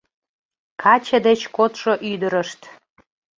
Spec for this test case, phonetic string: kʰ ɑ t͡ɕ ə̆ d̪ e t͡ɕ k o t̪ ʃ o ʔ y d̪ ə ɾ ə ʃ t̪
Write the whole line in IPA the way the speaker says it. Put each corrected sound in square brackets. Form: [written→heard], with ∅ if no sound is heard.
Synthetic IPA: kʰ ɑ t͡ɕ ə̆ d̪ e t͡ɕ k o t̪ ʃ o ʔ y d̪ ə ɾ ə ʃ t̪